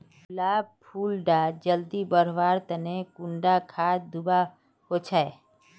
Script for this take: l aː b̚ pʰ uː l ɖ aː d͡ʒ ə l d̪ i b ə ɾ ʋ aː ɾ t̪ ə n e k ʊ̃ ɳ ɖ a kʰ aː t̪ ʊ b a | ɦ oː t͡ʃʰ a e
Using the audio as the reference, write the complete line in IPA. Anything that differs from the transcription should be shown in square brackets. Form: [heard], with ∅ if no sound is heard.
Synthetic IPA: l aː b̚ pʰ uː l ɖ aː d͡ʒ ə l d̪ i b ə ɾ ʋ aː ɾ t̪ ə n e k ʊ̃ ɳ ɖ a kʰ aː [d̪] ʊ b a | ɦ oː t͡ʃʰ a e